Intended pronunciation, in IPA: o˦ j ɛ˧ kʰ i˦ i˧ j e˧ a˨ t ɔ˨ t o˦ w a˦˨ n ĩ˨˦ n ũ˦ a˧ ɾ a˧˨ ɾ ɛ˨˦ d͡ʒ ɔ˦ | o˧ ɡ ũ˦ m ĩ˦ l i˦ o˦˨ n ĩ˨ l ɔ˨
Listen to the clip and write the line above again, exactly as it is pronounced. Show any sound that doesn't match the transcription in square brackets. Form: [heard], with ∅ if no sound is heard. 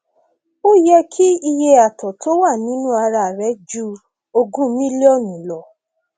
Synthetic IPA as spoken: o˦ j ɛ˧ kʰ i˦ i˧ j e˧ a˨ t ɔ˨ t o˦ w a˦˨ n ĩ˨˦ n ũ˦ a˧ ɾ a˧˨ ɾ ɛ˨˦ d͡ʒ [u˦] | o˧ ɡ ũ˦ m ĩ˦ l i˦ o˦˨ n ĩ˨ l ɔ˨